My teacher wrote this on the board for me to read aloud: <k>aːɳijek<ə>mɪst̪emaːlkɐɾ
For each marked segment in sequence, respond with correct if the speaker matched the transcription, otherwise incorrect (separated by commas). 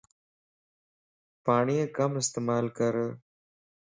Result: incorrect, incorrect